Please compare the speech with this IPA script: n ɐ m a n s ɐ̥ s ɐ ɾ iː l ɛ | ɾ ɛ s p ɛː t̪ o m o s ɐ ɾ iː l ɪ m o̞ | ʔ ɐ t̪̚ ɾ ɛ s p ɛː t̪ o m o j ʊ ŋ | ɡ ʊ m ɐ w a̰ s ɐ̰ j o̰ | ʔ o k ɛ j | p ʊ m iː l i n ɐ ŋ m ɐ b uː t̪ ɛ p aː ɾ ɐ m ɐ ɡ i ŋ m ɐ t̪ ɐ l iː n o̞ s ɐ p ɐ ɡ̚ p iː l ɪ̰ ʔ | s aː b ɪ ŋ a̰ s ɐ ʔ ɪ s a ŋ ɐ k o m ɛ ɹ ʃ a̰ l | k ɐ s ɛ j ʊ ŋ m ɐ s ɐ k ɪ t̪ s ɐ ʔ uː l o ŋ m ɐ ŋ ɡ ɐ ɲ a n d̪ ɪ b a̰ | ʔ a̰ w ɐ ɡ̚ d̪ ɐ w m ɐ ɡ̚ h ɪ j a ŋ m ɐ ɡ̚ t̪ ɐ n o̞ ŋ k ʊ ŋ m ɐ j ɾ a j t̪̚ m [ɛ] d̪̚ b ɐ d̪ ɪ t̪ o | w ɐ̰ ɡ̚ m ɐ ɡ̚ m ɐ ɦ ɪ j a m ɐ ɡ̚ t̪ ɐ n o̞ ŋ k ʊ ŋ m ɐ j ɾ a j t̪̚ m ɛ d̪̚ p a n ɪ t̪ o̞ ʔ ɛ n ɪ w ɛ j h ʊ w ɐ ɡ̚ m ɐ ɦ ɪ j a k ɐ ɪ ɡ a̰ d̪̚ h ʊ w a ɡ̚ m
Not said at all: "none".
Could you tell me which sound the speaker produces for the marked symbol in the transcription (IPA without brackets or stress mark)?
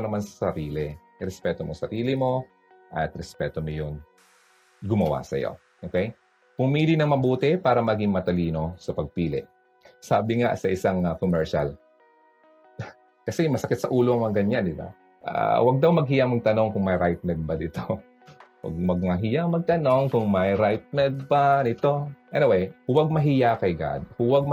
ɛ